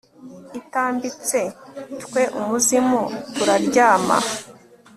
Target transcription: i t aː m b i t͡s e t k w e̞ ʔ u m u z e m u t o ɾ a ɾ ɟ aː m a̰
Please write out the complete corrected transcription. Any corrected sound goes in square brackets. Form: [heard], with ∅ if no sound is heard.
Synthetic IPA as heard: i t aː m b i t͡s e t k w e̞ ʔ u m u z [i] m u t [u] ɾ a ɾ ɟ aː m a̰

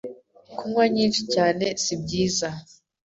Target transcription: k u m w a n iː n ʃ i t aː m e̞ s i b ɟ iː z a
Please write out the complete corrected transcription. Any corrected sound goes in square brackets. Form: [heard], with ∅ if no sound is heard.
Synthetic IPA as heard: k u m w a [ɲ] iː n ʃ i [c] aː [n] e̞ s i b ɟ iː z a

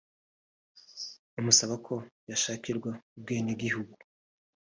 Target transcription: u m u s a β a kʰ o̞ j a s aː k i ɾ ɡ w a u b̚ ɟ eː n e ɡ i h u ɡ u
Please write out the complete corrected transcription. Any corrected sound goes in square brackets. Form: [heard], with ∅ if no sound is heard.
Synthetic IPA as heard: u m u s a β a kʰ o̞ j a [ʃ] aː k i ɾ ɡ w a u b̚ [ɡ] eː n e ɡ i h u ɡ u

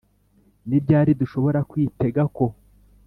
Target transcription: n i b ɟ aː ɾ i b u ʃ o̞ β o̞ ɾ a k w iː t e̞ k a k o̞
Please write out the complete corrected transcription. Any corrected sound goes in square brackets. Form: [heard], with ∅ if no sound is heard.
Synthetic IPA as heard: n i b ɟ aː ɾ i [d] u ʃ o̞ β o̞ ɾ a k w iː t e̞ [ɡ] a k o̞

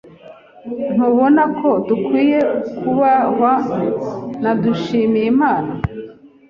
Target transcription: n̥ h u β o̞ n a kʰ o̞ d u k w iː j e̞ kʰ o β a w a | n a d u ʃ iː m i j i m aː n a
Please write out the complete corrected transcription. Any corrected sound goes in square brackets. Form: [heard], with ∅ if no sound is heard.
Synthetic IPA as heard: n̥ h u β o̞ n a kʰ o̞ d u k w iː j e̞ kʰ [u] β a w a | n a d u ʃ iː m i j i m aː n a

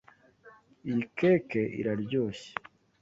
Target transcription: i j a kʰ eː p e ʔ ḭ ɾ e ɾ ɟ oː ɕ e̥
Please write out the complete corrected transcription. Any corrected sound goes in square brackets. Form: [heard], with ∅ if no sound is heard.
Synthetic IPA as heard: i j [i] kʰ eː [k] e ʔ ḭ ɾ [a] ɾ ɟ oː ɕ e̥

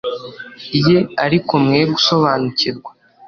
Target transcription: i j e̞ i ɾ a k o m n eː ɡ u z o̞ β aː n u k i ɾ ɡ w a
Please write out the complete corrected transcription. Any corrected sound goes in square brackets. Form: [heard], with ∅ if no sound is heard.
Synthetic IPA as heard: i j e̞ [a] ɾ [i] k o m [ŋ] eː ɡ u [s] o̞ β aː n u [c] i ɾ ɡ w a

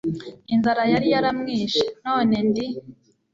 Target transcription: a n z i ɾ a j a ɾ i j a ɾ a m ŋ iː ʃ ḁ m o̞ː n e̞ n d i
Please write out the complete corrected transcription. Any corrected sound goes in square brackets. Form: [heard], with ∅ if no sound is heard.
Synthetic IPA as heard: [i] n z [a] ɾ a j a ɾ i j a ɾ a m ŋ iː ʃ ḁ [n] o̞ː n e̞ n d i

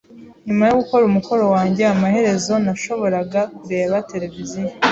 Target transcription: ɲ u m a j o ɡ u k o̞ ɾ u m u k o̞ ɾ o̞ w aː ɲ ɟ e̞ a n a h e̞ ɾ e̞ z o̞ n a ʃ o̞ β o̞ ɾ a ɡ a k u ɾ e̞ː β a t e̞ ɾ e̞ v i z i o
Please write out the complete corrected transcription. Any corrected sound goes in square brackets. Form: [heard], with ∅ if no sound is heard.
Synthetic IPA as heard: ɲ u m a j o ɡ u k o̞ ɾ u m u k o̞ ɾ o̞ w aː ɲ ɟ e̞ a [m] a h e̞ ɾ e̞ z o̞ n a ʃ o̞ β o̞ ɾ a ɡ a k u ɾ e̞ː β a t e̞ ɾ e̞ v i z i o

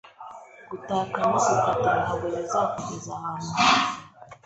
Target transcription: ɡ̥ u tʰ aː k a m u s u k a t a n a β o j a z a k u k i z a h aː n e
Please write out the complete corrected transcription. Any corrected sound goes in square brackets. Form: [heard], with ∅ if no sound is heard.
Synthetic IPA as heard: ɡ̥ u [t] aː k a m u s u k a t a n a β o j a z a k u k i z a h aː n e

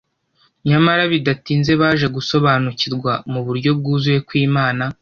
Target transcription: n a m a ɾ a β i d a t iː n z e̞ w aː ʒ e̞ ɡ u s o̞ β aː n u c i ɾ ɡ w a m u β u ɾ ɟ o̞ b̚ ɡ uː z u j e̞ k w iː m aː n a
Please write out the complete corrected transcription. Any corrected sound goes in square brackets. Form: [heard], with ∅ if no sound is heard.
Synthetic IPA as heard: [ɲ] a m a ɾ a β i d a t iː n z e̞ [β] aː ʒ e̞ ɡ u s o̞ β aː n u c i ɾ ɡ w a m u β u ɾ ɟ o̞ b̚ ɡ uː z u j e̞ k w iː m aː n a

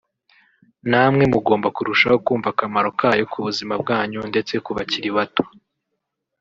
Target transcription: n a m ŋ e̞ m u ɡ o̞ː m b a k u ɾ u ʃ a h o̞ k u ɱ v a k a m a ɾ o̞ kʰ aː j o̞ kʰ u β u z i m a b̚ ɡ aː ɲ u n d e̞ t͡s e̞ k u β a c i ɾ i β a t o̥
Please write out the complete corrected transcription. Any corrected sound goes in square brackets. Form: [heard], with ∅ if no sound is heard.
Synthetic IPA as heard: n a m ŋ e̞ m u ɡ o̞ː m b a k u ɾ u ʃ a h o̞ k [uː] ɱ v a k a m a ɾ o̞ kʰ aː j o̞ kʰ u β u z i m a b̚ ɡ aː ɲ u n d e̞ t͡s e̞ k u β a c i ɾ i β a t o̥

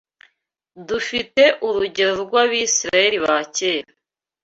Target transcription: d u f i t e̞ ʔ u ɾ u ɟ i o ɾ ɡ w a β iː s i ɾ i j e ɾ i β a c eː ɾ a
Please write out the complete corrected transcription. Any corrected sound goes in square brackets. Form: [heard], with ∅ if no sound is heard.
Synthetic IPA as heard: d u f i t e̞ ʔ u ɾ u ɟ [e] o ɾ ɡ w a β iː s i ɾ [a] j e ɾ i β a c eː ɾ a

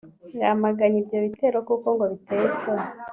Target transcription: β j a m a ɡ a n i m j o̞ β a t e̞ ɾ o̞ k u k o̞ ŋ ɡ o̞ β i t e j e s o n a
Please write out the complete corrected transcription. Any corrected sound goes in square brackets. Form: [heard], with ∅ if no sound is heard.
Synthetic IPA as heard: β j a m a ɡ a [ɲ] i [b] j o̞ β [i] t e̞ ɾ o̞ k u k o̞ ŋ ɡ o̞ β i t e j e s o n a

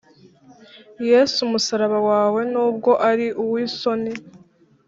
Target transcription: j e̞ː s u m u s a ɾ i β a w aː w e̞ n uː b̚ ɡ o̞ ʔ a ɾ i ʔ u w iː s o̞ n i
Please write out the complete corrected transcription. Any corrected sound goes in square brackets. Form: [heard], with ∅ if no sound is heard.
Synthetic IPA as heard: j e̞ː s u m u s a ɾ [a] β a w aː w e̞ n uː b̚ ɡ o̞ ʔ a ɾ i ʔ u w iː s o̞ n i

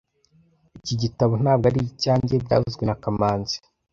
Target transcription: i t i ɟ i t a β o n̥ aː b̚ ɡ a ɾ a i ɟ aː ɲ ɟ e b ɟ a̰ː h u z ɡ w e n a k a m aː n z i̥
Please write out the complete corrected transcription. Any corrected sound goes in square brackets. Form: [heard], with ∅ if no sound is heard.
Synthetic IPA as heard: i [c] i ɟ i t a β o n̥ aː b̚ ɡ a ɾ [i] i [c] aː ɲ ɟ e b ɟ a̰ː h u z ɡ w e n a k a m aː n z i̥

